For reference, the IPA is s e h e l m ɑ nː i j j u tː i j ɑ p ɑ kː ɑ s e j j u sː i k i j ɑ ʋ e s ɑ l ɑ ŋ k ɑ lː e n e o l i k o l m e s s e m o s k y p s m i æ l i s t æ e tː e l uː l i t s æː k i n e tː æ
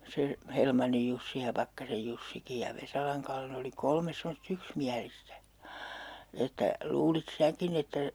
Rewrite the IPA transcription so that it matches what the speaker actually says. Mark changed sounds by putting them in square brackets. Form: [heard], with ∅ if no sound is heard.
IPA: s e h e l m ɑ nː i j j u [sː] i j ɑ p ɑ kː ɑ s e j j u sː i k i j ɑ ʋ e s ɑ l ɑ ŋ k ɑ lː e n e o l i k o l m e s s e m o s [t] y [k] s m i æ l i s t æ e tː [æ] l uː l i t s æː k i n e tː æ